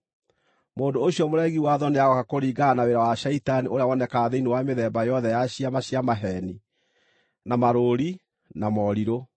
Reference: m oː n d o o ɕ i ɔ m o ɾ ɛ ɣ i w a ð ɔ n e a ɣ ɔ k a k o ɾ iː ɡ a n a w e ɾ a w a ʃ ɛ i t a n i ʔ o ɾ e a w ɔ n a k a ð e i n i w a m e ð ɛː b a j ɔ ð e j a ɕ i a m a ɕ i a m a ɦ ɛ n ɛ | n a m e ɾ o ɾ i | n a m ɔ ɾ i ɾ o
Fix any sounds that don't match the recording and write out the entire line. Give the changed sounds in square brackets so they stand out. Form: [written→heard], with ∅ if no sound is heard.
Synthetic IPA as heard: m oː n d o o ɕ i ɔ m o ɾ ɛ ɣ i w a ð ɔ n e a ɣ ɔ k a k o ɾ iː ɡ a n a w e ɾ a w a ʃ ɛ i t a n i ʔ o ɾ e a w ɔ n [a→ɛ] k a ð e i n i w a m e ð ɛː b a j ɔ ð [e→ɛ] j a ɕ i a m a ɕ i a m a ɦ ɛ n [ɛ→i] | n a m [e→a] ɾ o ɾ i | n a m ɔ ɾ i ɾ o